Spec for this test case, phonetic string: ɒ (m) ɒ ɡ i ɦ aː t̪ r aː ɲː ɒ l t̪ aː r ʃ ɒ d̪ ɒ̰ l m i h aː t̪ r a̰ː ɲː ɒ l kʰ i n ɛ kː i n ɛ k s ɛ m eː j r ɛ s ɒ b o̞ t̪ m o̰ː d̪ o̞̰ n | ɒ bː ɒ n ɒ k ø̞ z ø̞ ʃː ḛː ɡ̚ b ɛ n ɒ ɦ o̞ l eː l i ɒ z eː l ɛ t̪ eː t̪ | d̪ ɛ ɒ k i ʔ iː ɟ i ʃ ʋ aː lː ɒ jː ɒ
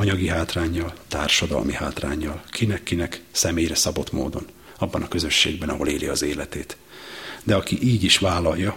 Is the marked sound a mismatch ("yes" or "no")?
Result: yes